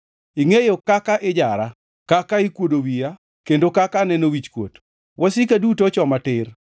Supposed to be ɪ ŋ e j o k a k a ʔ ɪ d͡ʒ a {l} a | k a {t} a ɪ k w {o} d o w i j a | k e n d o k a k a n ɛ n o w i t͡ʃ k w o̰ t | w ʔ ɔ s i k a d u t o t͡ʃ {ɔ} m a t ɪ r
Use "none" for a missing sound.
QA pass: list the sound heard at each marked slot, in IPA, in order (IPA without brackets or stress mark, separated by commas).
ɾ, k, o, ɔ